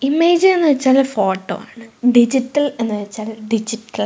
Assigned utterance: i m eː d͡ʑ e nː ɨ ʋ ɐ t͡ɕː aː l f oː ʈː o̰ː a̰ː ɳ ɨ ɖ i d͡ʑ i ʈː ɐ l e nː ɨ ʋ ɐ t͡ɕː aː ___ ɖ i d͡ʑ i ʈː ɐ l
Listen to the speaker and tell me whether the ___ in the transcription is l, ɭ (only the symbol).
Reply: l